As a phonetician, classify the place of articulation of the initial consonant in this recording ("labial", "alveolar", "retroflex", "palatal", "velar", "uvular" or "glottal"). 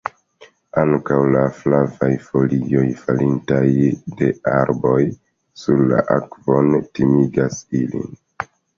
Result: velar